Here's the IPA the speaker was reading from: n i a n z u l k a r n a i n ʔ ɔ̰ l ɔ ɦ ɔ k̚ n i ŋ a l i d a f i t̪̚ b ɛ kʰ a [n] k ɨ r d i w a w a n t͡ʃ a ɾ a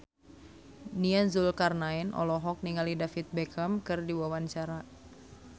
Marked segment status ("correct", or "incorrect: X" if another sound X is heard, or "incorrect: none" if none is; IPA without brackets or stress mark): incorrect: m